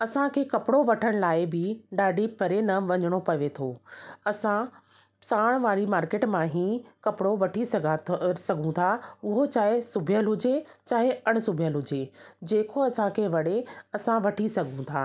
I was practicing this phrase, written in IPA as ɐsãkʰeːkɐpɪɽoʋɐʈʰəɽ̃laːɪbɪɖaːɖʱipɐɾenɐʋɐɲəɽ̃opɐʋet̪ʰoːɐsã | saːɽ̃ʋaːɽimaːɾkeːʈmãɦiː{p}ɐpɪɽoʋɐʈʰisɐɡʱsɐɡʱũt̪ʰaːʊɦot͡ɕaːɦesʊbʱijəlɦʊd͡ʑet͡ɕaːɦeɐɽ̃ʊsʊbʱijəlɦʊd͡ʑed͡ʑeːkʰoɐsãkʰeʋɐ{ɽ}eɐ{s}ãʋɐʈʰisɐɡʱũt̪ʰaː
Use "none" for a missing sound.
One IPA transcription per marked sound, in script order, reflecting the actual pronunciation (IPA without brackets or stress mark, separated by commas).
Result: k, ɽ, s